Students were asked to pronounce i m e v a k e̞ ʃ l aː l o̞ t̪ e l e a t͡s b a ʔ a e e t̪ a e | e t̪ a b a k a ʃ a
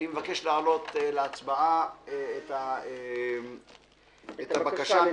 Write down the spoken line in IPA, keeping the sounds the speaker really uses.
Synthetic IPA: i m e v a k e̞ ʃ l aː l o̞ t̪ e l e a t͡s b a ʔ a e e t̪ a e | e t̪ a b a k a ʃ a